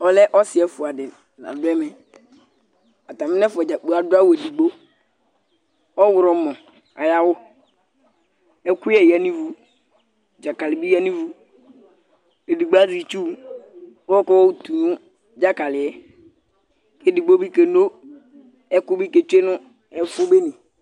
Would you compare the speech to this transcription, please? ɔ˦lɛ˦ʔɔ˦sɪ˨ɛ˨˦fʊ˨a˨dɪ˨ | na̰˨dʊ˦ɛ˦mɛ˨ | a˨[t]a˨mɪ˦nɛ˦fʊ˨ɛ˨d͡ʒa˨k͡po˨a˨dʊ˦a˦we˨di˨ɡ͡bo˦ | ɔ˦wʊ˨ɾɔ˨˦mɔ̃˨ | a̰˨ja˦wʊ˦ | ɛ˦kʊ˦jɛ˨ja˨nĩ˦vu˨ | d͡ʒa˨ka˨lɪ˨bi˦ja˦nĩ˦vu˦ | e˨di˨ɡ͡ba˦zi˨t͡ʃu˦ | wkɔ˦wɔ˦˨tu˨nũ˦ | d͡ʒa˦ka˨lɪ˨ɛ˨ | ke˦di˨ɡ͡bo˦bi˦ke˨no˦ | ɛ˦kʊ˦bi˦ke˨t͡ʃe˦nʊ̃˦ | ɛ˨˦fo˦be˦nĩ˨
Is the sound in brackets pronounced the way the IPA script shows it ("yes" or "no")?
yes